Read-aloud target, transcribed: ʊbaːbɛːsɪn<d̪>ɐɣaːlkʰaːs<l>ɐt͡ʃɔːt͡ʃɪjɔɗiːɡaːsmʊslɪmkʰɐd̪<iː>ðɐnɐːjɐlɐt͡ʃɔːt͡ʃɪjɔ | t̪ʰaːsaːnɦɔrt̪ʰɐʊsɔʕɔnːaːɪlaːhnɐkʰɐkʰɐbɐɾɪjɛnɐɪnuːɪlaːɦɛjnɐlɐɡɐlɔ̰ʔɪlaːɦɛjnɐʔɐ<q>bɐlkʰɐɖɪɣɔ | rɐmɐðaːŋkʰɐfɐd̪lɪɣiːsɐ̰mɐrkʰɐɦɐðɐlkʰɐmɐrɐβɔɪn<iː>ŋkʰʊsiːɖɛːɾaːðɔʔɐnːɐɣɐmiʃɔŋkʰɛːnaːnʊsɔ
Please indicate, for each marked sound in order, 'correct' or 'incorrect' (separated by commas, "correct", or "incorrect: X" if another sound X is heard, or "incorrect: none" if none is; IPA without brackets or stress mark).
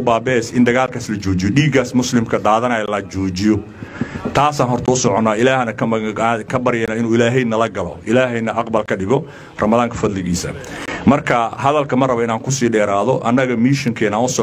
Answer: correct, correct, incorrect: aː, correct, incorrect: aː